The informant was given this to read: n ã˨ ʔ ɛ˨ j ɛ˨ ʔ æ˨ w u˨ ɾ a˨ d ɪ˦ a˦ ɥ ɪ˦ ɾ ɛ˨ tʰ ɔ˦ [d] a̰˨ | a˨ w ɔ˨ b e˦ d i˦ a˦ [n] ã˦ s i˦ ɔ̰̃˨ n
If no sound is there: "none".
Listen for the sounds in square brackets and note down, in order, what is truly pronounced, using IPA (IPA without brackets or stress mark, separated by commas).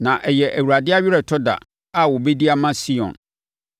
d, m